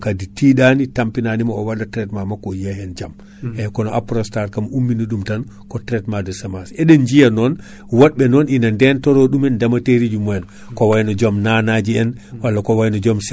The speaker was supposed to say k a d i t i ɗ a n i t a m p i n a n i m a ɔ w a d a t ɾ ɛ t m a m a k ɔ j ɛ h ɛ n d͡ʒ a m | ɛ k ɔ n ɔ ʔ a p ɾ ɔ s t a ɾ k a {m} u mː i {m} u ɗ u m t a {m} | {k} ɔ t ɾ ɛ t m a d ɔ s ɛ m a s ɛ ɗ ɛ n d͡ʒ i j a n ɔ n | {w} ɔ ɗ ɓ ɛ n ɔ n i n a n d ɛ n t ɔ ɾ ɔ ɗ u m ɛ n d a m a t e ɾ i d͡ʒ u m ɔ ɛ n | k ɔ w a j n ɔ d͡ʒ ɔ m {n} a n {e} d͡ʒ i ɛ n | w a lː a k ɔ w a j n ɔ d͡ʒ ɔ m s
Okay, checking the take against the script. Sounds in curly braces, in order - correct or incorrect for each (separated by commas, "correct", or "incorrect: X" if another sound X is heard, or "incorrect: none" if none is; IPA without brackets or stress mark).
correct, incorrect: n, incorrect: n, correct, correct, correct, incorrect: a